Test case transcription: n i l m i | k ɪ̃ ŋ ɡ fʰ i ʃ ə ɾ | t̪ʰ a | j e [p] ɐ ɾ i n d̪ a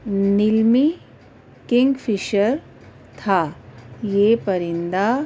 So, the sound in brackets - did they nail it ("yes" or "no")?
yes